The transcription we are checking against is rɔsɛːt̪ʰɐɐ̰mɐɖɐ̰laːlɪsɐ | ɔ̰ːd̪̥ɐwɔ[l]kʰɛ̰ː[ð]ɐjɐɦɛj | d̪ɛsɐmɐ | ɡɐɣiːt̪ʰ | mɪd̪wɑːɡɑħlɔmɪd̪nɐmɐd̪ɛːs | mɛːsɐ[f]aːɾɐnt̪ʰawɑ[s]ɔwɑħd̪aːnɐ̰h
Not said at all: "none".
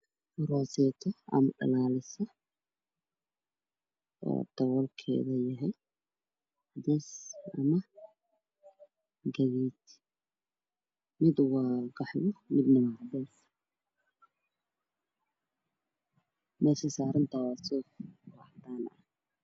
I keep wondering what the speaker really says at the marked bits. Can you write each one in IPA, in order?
l, ð, s, s

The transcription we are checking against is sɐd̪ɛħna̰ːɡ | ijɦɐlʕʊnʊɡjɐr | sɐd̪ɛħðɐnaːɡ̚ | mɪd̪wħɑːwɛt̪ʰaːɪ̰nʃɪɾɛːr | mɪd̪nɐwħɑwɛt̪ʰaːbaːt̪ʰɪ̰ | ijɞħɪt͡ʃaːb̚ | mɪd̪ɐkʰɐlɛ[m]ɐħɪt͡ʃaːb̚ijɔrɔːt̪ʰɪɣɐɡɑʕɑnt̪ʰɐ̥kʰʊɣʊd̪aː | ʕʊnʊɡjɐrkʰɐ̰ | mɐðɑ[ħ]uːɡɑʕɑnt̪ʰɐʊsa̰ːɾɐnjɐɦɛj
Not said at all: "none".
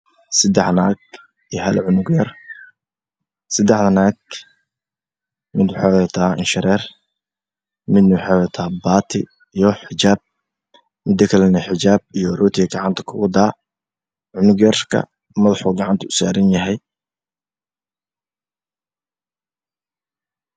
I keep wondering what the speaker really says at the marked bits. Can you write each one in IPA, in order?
n, ħ

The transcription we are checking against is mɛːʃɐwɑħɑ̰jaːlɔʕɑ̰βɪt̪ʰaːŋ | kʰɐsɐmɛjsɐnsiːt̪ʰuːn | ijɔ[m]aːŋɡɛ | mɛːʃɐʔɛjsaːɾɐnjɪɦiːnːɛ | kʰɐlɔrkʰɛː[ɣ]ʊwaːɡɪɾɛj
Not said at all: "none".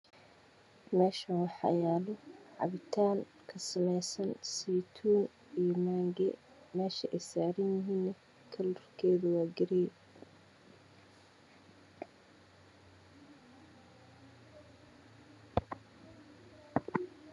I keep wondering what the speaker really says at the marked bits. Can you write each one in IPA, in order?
m, ð

